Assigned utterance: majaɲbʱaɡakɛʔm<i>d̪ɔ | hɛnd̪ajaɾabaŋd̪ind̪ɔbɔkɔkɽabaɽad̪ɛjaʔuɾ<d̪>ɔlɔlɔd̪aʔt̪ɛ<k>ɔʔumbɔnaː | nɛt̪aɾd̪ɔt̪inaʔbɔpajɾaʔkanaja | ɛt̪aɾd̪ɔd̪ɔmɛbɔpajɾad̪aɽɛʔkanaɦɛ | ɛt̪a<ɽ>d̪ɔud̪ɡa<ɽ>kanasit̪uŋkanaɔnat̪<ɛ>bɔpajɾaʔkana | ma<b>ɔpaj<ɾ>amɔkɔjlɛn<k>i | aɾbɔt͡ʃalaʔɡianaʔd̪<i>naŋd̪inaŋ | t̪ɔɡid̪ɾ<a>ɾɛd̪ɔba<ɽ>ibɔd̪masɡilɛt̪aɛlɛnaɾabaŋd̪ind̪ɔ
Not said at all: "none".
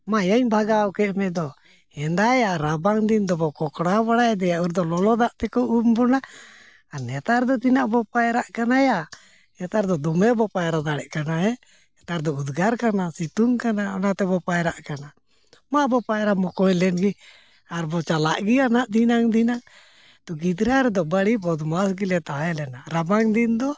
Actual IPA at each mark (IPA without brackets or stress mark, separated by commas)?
ɛ, d̪, k, ɾ, ɾ, ɛ, b, ɾ, ɡ, i, a, ɽ